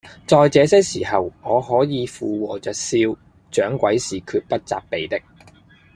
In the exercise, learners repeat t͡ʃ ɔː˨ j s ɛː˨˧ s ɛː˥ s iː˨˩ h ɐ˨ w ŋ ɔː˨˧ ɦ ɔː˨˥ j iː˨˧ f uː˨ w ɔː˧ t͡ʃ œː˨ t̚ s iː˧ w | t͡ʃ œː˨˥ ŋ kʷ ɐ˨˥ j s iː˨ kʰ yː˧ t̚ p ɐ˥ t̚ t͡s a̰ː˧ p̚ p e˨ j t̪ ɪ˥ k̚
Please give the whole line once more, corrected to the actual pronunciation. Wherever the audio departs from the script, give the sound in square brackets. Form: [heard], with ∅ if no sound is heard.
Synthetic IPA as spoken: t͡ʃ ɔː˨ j [t͡s] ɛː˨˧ s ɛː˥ s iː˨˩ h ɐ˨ w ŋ ɔː˨˧ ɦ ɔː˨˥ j iː˨˧ f uː˨ w [ɔː˨˩] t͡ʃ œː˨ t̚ s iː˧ w | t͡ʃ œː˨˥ ŋ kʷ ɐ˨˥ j s iː˨ kʰ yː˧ t̚ p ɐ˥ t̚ t͡s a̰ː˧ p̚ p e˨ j t̪ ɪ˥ k̚